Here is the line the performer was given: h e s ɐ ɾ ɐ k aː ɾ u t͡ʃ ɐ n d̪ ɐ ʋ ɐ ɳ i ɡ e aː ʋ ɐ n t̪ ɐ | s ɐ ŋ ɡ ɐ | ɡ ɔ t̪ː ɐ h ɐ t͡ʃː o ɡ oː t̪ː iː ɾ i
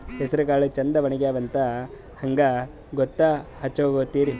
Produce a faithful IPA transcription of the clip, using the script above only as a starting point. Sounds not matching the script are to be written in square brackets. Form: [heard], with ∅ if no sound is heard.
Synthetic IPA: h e s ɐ ɾ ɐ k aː [ɭ] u t͡ʃ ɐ n d̪ ɐ ʋ ɐ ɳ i ɡ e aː ʋ ɐ n t̪ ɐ | [h] ɐ ŋ ɡ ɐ | ɡ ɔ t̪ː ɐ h ɐ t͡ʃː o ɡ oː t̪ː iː ɾ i